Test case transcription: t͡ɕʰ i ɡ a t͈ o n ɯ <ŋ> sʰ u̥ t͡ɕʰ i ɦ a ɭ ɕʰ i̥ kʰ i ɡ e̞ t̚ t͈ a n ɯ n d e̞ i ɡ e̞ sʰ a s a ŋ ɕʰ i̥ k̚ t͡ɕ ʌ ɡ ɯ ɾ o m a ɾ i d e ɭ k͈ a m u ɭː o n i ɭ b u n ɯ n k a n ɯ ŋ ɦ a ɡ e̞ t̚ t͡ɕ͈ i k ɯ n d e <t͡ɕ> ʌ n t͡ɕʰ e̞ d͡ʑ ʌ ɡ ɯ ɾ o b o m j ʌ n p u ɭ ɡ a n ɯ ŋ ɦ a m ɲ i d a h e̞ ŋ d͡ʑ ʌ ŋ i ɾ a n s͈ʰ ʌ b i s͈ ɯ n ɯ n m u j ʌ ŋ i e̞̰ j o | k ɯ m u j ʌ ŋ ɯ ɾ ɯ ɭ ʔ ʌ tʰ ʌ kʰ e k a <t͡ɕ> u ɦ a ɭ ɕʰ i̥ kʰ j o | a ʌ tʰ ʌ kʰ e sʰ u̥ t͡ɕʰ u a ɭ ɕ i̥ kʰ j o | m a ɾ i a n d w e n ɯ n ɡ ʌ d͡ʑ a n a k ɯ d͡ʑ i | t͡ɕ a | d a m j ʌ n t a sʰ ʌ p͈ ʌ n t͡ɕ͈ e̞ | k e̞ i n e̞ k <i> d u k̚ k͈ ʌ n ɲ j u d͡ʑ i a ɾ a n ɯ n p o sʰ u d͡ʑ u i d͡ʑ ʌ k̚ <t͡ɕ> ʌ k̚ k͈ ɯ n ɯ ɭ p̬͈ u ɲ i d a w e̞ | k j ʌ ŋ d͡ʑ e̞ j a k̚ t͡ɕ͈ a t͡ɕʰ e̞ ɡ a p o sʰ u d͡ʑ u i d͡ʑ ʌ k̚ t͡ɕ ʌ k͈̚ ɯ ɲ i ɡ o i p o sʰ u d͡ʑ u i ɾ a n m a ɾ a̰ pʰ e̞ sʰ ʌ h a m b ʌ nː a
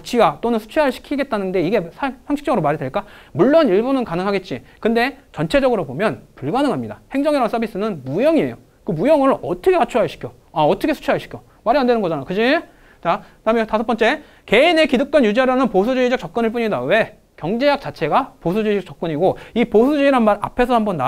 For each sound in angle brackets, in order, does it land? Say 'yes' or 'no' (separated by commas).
no, yes, no, yes, yes